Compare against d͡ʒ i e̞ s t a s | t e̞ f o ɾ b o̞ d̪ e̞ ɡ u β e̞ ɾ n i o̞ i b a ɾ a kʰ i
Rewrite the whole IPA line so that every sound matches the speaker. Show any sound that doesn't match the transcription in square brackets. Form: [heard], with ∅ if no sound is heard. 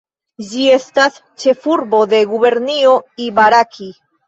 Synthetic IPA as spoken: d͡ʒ i e̞ s t a s | [t͡ʃ] e̞ f [u] ɾ b o̞ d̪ e̞ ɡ u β e̞ ɾ n i o̞ i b a ɾ a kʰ i